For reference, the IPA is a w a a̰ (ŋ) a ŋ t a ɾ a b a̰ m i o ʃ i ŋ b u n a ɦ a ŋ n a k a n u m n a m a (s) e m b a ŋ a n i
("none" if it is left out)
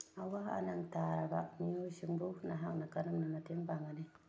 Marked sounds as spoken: n, t

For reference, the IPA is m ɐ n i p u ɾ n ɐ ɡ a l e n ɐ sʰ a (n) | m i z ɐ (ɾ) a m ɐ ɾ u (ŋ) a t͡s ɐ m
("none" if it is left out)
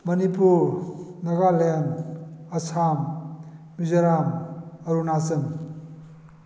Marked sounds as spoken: m, ɾ, n

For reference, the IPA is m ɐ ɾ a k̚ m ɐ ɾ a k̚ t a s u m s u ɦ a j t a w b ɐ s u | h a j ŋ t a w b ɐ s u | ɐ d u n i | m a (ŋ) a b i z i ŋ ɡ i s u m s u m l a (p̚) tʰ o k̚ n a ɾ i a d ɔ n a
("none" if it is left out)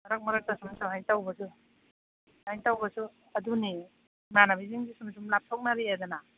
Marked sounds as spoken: n, p̚

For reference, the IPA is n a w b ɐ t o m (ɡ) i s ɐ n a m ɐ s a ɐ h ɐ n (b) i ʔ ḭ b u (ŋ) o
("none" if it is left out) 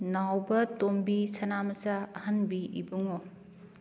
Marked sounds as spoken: b, b, ŋ

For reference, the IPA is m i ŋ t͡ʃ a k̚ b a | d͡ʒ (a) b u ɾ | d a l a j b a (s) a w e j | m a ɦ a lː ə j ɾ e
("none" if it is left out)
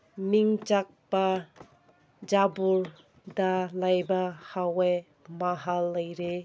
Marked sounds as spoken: a, h

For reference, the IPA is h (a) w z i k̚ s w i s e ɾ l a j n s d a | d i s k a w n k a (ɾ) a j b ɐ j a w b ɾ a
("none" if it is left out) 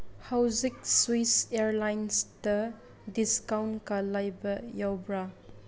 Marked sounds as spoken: a, l

